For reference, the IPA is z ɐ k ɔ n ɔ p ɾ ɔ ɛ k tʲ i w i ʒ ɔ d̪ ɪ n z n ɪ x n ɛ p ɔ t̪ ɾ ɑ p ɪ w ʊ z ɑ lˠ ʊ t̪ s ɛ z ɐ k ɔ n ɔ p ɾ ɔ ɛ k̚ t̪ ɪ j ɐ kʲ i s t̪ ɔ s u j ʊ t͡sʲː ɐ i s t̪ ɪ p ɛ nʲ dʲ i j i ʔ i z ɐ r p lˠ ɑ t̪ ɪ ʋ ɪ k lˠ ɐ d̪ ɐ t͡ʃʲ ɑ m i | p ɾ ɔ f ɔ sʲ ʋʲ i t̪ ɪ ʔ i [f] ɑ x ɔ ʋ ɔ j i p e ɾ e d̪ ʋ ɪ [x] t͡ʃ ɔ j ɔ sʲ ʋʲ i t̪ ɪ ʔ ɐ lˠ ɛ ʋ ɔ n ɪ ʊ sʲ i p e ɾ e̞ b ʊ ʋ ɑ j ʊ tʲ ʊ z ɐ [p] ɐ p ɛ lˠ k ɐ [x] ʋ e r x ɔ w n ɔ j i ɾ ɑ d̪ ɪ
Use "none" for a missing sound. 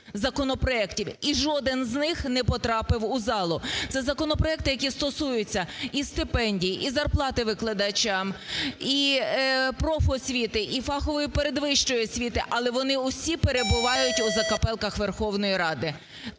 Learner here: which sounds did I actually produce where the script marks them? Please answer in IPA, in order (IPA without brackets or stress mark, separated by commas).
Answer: f, ʃ, k, x